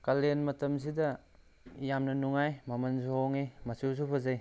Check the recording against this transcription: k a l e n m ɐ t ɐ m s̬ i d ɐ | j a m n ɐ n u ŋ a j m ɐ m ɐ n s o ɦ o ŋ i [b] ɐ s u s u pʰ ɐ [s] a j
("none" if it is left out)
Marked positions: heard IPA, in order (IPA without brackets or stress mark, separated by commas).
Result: m, z